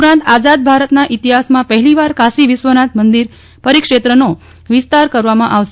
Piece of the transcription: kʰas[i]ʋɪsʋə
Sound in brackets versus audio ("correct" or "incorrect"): correct